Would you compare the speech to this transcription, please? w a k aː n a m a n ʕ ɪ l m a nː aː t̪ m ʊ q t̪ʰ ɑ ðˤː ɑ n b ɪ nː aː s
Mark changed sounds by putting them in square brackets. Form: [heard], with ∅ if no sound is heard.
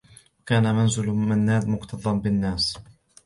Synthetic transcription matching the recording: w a k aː n a m a n [z] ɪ l m a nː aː [d̪] m ʊ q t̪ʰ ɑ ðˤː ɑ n b ɪ nː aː s